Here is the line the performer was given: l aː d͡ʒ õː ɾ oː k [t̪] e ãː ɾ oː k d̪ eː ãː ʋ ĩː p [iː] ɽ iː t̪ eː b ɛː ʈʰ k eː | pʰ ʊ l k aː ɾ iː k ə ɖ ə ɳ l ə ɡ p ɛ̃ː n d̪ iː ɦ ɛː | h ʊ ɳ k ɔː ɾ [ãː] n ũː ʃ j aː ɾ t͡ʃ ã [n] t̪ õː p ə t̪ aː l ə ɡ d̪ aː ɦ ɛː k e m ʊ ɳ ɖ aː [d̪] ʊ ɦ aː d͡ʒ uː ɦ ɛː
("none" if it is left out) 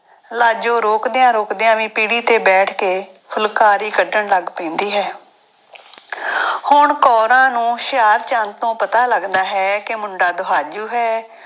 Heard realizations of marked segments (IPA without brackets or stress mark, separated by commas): d̪, iː, ãː, n, d̪